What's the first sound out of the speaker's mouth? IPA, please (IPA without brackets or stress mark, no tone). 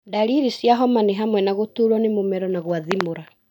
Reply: d